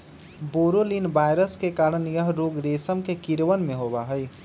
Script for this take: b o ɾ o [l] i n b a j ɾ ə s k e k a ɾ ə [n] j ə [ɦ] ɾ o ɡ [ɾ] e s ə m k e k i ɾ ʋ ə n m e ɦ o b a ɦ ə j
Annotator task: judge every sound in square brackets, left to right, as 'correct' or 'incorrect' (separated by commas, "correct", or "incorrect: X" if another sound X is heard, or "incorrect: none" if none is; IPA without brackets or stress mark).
correct, correct, correct, correct